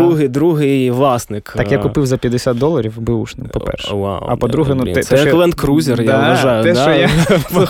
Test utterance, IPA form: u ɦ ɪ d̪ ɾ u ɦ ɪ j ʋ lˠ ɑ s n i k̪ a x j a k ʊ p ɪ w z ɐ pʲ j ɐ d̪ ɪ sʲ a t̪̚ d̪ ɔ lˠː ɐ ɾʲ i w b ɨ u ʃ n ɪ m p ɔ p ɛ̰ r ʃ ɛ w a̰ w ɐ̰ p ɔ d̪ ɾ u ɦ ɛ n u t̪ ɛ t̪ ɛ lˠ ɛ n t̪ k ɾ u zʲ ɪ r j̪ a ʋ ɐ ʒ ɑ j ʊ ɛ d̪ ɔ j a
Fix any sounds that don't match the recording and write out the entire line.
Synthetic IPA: u ɦ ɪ d̪ ɾ u ɦ ɪ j ʋ lˠ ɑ s n ɪ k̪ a k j a k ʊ p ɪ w z ɐ pʲ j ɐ d̪ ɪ sʲ a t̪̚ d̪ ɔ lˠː ɐ ɾʲ i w b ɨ u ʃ n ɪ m p ɔ p ɛ̰ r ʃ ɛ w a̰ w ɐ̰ p ɔ d̪ ɾ u ɦ ɛ n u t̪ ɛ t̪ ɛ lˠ ɛ n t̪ k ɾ u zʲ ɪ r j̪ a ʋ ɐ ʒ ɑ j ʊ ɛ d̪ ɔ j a